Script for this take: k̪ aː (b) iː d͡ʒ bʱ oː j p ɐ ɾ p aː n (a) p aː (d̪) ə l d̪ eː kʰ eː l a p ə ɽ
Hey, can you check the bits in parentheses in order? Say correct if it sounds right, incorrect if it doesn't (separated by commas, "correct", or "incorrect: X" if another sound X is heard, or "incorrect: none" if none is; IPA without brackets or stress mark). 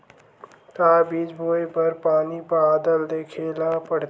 correct, incorrect: i, correct